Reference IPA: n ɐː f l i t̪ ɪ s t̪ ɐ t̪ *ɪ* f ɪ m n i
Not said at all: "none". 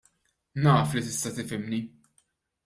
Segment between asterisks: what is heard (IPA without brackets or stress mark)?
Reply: ɪ